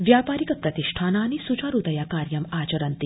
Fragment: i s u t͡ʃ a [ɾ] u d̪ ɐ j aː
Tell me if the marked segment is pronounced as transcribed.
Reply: yes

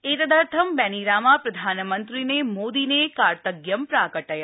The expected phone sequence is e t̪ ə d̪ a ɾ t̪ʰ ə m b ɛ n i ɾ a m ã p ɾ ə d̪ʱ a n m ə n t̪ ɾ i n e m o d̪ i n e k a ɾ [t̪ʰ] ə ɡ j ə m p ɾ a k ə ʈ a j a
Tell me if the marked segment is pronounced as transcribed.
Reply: no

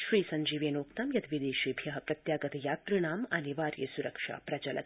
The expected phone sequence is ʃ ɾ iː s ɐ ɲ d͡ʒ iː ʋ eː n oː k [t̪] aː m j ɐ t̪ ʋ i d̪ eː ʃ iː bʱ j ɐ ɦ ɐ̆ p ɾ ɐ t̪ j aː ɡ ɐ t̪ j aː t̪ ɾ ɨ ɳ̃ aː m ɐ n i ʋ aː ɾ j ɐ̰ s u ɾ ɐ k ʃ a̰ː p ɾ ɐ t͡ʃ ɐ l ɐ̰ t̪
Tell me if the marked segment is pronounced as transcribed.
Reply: yes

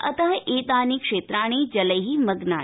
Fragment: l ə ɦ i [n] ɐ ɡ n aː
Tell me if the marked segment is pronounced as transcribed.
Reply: no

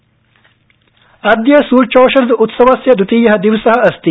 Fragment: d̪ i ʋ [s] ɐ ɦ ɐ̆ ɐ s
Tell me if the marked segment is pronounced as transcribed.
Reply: yes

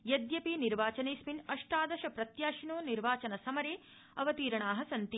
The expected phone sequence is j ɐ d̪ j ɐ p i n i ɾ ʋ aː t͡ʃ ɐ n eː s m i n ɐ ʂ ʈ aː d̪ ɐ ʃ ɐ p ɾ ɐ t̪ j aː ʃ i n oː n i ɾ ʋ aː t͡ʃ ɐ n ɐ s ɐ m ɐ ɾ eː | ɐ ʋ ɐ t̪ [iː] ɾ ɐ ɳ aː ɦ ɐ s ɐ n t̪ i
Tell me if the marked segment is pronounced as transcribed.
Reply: yes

